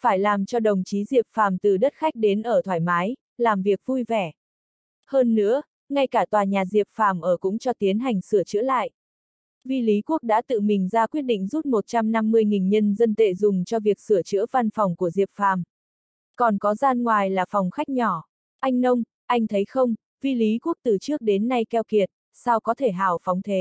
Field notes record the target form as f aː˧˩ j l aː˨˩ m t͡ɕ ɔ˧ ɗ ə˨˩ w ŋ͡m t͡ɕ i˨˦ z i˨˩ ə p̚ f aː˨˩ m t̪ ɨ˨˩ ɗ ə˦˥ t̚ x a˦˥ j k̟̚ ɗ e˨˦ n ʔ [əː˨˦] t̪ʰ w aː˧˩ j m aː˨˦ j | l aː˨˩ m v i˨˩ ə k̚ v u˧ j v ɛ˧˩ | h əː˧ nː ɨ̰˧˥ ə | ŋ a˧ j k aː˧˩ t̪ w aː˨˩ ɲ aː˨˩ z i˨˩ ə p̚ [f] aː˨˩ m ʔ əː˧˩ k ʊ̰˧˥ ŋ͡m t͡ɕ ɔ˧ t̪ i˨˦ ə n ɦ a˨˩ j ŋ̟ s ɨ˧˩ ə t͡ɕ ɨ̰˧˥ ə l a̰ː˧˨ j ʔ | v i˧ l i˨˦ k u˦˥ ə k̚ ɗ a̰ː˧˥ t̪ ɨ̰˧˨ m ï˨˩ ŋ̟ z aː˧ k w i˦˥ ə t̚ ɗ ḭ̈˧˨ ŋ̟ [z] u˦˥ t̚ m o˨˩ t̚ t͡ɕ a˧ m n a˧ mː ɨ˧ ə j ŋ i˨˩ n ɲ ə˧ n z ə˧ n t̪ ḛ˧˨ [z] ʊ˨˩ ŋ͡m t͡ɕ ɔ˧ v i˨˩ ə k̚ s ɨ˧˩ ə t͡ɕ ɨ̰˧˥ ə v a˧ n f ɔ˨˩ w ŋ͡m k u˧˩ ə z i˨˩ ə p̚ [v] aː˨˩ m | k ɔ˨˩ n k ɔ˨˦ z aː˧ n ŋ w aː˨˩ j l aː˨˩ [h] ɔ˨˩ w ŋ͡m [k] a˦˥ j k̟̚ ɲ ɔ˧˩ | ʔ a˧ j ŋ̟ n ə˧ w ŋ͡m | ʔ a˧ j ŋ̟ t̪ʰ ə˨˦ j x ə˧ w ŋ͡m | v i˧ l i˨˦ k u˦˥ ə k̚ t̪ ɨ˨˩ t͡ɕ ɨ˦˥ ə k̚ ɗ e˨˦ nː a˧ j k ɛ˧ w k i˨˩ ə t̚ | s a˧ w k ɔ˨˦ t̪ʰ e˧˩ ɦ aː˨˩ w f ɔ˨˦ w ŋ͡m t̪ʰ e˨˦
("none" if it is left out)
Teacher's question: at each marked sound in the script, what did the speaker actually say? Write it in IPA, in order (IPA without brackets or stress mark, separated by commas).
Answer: əː˧˩, f, z, z, f, f, x